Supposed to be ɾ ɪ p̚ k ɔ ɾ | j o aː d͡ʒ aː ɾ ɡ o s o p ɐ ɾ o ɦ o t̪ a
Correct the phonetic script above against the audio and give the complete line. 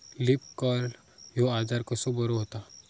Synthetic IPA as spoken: l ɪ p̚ k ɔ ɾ | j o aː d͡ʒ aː ɾ k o s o b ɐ ɾ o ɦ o t̪ a